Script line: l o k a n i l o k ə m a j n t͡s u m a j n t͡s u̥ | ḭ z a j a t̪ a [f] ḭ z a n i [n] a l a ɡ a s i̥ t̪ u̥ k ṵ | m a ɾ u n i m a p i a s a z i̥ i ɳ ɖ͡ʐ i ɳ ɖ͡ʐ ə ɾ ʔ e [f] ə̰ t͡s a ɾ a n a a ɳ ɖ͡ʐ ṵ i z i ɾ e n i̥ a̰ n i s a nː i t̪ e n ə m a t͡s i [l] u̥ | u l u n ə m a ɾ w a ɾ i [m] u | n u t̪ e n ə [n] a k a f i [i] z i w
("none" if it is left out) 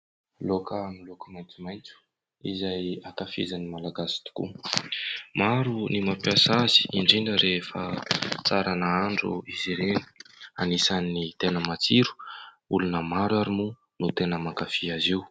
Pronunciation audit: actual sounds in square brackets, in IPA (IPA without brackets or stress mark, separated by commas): f, m, f, ɾ, m, m, a